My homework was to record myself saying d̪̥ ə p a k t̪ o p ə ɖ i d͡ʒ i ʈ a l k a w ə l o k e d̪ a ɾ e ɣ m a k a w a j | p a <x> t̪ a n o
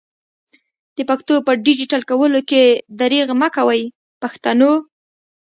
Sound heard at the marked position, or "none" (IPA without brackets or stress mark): x